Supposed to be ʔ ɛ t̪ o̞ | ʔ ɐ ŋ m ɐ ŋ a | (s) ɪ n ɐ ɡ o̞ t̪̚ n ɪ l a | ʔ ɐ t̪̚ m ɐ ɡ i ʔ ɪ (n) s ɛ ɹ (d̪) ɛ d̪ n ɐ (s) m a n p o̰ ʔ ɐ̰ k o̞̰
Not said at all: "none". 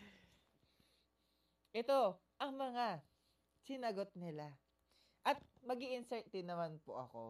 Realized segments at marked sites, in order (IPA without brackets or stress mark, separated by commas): s, n, t̪, none